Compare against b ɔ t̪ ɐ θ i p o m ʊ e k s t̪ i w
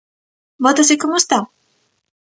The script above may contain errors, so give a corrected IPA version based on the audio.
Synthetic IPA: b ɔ t̪ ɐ s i k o m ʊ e s t̪ a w